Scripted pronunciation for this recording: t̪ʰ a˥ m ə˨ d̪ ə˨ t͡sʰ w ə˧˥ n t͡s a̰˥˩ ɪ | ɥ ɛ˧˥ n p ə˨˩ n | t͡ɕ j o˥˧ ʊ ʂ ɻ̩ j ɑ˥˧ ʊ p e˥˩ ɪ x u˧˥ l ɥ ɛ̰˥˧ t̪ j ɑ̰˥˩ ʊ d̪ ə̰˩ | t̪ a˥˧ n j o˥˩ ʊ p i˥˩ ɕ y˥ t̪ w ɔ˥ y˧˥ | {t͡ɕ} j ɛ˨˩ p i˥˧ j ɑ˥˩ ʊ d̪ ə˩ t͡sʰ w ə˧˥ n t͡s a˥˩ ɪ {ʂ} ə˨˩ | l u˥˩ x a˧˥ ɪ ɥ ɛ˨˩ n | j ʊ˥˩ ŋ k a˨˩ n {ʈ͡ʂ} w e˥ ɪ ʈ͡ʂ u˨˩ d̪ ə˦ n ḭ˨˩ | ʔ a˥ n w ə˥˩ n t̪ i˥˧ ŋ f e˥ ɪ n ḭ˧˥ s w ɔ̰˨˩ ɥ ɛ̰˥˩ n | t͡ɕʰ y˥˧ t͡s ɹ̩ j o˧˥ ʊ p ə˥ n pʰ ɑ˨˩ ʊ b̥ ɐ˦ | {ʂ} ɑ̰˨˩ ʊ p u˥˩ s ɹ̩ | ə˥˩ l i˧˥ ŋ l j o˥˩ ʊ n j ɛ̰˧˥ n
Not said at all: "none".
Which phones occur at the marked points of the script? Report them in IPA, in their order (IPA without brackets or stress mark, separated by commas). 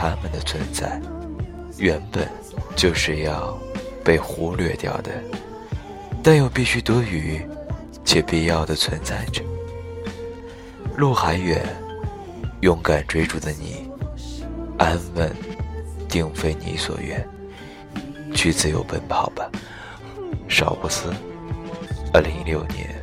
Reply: t͡ɕʰ, ʈ͡ʂ, ʈ͡ʂ, ʂ